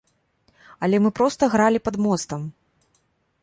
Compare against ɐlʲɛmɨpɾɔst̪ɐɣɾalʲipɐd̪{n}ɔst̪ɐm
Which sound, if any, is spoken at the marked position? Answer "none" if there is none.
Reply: m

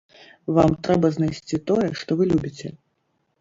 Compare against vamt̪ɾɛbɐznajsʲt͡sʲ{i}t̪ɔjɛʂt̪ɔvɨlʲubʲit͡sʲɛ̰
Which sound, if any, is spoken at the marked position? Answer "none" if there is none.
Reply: i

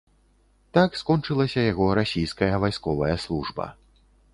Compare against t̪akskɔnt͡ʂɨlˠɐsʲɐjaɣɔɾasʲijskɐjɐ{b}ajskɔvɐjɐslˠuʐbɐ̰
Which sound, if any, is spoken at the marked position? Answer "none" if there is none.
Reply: v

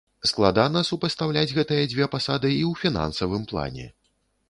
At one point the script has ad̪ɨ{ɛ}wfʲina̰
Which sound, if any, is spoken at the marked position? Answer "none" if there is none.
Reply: i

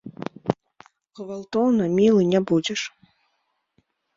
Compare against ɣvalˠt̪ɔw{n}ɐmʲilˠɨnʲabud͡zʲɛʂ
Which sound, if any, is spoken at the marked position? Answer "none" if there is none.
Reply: n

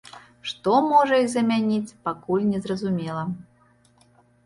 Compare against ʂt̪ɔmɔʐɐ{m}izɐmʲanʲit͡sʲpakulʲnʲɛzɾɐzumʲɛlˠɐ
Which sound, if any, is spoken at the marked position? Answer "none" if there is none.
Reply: none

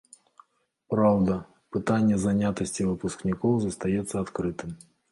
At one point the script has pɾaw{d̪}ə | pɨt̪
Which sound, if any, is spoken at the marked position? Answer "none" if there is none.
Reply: d̪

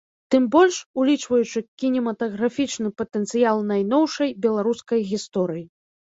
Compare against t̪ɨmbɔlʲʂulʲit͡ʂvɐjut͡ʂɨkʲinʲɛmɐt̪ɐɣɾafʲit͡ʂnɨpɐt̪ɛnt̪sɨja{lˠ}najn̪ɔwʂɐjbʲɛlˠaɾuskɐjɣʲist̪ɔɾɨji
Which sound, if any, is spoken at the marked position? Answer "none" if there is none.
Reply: lˠ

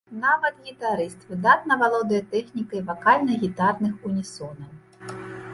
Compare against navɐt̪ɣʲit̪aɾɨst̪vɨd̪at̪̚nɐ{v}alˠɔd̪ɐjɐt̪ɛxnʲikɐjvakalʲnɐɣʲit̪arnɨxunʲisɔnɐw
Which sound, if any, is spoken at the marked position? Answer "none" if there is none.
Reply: v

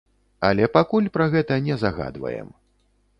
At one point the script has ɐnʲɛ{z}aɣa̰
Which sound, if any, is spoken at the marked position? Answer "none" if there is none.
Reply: z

